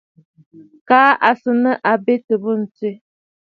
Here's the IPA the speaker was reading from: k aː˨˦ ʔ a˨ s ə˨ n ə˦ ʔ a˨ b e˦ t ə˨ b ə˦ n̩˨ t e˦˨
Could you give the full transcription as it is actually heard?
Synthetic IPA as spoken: k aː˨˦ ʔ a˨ s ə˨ n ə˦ ʔ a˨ b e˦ t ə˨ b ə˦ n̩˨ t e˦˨